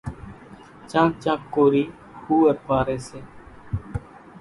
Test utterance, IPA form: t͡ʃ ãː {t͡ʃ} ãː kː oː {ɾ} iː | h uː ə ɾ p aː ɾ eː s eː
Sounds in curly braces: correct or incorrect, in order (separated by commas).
correct, correct